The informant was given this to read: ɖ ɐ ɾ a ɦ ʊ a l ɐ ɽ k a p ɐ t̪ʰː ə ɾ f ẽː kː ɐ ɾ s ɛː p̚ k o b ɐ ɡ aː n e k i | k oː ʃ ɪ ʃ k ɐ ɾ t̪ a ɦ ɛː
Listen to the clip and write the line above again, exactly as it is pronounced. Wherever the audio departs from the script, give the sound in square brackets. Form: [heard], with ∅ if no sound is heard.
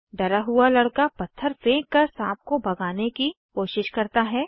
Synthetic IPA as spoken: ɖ ɐ ɾ a ɦ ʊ a l ɐ ɽ k a p ɐ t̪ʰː ə ɾ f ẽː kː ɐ ɾ s [aː] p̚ k o b ɐ ɡ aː n e k i | k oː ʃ ɪ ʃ k ɐ ɾ t̪ a ɦ ɛː